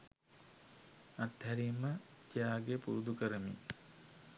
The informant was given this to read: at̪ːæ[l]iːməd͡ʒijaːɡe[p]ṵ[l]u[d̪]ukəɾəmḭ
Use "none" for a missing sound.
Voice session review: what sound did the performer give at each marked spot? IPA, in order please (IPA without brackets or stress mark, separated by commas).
ɾ, p, ɾ, d̪